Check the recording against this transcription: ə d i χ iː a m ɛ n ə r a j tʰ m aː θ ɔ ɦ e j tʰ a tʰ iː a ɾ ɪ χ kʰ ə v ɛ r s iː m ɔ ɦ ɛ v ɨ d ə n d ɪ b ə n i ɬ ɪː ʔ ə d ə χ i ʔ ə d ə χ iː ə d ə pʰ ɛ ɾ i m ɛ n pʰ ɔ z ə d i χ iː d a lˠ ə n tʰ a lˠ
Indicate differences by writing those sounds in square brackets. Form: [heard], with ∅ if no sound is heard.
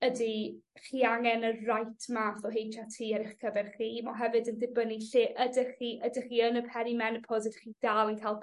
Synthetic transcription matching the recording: ə d i χ iː a [ŋ] ɛ n ə r a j tʰ m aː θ ɔ ɦ e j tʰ a tʰ iː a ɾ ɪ χ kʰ ə v ɛ r [χ] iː m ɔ ɦ ɛ v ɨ d ə n d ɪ b ə n i ɬ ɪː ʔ ə d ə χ i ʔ ə d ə χ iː ə [n] ə pʰ ɛ ɾ i m ɛ n pʰ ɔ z ə d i χ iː d a lˠ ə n [kʰ] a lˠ